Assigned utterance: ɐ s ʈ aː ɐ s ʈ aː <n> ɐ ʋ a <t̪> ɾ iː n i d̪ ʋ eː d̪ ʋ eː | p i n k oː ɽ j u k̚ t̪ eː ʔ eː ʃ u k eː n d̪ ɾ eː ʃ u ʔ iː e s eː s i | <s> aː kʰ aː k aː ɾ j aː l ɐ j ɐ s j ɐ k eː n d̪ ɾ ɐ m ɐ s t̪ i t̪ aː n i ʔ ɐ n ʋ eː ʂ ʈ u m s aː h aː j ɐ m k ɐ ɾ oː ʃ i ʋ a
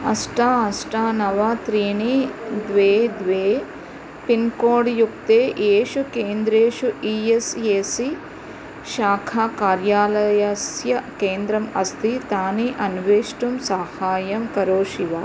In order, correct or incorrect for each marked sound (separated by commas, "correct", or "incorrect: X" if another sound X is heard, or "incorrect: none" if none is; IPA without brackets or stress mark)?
correct, correct, incorrect: ʃ